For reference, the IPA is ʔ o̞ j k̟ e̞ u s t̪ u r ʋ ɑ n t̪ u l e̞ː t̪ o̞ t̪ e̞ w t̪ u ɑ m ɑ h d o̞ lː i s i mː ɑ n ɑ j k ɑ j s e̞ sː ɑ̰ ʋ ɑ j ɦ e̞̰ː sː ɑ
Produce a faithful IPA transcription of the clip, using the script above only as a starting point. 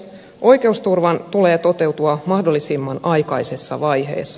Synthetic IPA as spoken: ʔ o̞ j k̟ e̞ u s t̪ u r ʋ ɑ n t̪ u l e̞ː t̪ o̞ t̪ e̞ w t̪ u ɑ m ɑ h d o̞ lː i s i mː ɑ n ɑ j k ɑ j s e̞ sː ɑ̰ ʋ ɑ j ɦ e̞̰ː sː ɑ